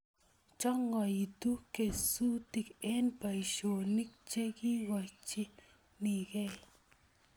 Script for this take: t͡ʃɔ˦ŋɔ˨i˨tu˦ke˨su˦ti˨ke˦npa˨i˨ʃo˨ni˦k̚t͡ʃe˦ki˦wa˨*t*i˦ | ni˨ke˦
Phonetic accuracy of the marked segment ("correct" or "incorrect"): incorrect